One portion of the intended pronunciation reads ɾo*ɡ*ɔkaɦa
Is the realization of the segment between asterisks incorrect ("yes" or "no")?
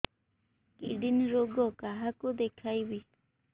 no